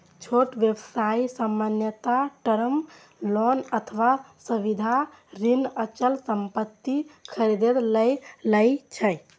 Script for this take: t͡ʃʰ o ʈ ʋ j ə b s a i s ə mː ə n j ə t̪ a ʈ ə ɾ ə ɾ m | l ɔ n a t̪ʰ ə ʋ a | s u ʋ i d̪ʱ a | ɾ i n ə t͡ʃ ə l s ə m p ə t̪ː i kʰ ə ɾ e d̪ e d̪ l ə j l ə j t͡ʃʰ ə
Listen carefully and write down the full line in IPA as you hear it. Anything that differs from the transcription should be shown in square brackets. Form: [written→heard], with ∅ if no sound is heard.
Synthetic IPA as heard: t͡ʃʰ o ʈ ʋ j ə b s a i s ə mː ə n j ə t̪ a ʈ ə ɾ ə [ɾ→∅] m | l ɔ n [a→ə] t̪ʰ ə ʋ a | s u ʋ i d̪ʱ a | ɾ i n ə t͡ʃ ə l s ə m p ə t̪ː i kʰ ə ɾ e d̪ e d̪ l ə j l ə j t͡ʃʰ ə